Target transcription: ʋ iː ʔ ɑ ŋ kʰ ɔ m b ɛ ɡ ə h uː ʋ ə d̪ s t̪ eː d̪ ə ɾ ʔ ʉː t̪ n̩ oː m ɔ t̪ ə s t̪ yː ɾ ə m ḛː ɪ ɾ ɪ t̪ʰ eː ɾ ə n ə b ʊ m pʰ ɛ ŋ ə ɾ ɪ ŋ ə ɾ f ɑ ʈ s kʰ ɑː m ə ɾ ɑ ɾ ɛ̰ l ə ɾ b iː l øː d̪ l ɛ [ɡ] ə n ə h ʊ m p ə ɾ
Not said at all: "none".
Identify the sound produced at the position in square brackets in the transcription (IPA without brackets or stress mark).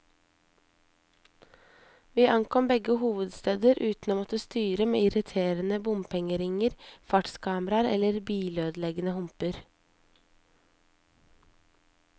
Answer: ɡ